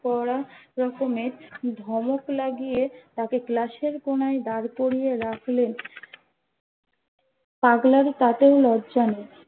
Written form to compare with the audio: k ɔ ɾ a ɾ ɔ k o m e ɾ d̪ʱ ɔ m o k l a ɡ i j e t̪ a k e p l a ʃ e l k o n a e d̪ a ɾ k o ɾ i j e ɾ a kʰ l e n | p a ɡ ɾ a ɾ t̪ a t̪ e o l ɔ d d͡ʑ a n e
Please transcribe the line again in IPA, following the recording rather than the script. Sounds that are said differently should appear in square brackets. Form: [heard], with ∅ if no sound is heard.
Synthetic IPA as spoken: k ɔ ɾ a ɾ ɔ k o m e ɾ d̪ʱ ɔ m o k l a ɡ i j e t̪ a k e [k] l a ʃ e [ɾ] k o n a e d̪ a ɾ k o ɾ i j e ɾ a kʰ l e n | p a ɡ [l] a ɾ t̪ a t̪ e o l ɔ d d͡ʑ a n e